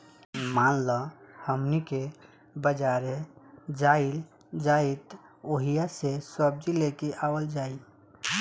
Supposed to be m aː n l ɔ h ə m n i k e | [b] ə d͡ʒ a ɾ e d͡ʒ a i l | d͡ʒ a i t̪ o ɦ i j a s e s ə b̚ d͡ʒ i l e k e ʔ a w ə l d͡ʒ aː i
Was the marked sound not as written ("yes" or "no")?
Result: no